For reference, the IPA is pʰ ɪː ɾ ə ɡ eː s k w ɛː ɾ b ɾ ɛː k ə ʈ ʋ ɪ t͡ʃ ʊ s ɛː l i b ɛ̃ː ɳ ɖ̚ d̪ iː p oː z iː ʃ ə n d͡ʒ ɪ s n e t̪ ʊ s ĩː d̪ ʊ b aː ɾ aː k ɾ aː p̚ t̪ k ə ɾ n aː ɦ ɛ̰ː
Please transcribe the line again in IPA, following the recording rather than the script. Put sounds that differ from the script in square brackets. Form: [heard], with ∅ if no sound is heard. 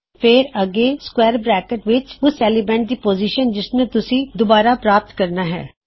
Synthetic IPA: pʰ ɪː ɾ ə ɡ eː s k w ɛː ɾ b ɾ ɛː k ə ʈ ʋ ɪ t͡ʃ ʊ s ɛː l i b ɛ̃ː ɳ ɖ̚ d̪ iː p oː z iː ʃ ə n d͡ʒ ɪ s n e t̪ ʊ s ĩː d̪ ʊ b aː ɾ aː [p] ɾ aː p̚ t̪ k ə ɾ n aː ɦ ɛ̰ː